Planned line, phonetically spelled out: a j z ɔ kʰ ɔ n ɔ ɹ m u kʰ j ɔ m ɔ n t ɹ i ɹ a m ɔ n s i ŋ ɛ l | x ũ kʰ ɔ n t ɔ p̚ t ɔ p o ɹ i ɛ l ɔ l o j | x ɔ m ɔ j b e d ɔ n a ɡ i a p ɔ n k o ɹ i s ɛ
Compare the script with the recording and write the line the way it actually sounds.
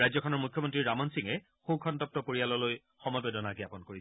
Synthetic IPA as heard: a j z ɔ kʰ ɔ n ɔ ɹ m u kʰ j ɔ m ɔ n t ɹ i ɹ a m ɔ n s i ŋ ɛ | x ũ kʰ ɔ n t ɔ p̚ t ɔ p o ɹ i a l ɔ l o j | x ɔ m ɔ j b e d ɔ n a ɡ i a p ɔ n k o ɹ i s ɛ